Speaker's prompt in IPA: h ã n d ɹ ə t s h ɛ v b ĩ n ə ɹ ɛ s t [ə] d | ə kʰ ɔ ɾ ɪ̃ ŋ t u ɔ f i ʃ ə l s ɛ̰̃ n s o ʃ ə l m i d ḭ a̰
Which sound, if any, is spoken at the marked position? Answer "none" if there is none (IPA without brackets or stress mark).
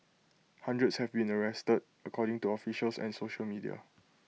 ə